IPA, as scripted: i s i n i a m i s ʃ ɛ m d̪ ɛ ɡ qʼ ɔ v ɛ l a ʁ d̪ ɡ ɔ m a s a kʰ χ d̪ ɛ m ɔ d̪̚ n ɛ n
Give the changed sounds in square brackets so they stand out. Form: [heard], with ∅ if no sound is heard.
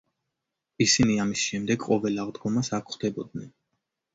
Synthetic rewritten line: i s i n i a m i s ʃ ɛ m d̪ ɛ ɡ qʼ ɔ v ɛ l a ʁ d̪ ɡ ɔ m a s a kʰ χ d̪ ɛ [b] ɔ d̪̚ n ɛ n